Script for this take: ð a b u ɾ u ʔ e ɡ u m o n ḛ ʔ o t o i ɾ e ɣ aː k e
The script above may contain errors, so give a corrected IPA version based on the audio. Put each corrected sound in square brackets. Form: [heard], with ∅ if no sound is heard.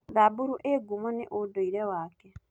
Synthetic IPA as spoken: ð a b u ɾ u ʔ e ɡ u m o n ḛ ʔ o [d] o i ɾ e [w] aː k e